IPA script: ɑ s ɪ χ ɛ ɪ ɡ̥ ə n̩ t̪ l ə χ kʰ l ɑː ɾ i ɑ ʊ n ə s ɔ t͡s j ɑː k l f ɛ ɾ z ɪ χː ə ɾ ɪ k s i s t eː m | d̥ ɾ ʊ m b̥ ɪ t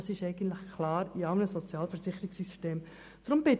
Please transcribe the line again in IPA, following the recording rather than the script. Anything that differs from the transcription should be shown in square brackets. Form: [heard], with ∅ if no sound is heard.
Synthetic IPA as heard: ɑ s ɪ [ʃ] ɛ ɪ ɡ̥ ə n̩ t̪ l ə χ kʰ l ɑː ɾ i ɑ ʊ n ə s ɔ t͡s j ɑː [∅] l f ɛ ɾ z ɪ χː ə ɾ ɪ k s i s t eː m | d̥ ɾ ʊ m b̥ ɪ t